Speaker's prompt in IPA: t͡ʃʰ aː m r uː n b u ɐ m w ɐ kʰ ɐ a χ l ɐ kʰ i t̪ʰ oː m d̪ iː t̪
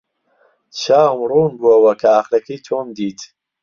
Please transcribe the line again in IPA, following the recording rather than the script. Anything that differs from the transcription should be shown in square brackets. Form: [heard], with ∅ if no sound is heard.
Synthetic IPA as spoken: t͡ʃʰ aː m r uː n b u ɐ [∅] w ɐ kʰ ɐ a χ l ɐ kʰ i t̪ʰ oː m d̪ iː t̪